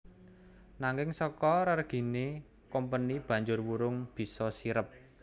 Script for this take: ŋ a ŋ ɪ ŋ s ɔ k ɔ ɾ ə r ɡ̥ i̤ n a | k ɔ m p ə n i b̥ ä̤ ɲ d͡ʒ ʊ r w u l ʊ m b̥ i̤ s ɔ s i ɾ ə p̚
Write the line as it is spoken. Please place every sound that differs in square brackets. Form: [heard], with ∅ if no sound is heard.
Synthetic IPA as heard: [n] a ŋ ɪ ŋ s ɔ k ɔ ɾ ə r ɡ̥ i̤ n [e] | k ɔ m p ə n i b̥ ä̤ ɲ d͡ʒ ʊ r w u [ɾ] ʊ [ŋ] b̥ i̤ s ɔ s i ɾ ə p̚